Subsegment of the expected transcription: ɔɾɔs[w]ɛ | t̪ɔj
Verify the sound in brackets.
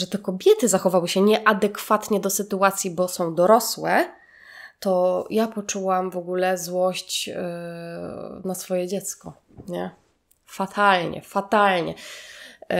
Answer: correct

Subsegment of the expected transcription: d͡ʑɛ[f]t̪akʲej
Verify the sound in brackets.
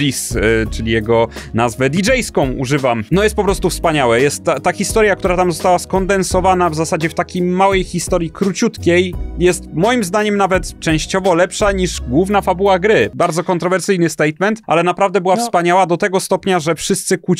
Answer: correct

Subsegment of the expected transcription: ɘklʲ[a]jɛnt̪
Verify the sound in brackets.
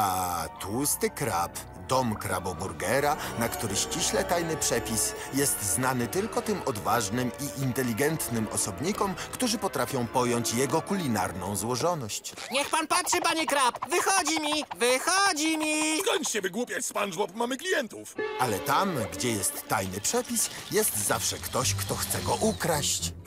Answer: incorrect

